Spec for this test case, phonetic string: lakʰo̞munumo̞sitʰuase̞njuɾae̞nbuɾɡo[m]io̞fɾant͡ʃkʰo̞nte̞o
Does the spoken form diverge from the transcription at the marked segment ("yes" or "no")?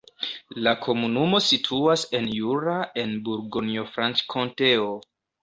yes